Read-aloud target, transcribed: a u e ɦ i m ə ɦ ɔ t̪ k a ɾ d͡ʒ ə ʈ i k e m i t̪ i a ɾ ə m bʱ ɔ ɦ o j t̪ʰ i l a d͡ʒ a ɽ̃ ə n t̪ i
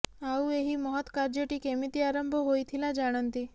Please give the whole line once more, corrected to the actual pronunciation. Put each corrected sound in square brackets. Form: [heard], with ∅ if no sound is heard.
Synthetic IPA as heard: a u e ɦ i m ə ɦ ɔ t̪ k a ɾ d͡ʒ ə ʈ i k e m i t̪ i a ɾ ə m bʱ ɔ ɦ o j t̪ʰ i l a d͡ʒ a ɽ̃ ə n t̪ i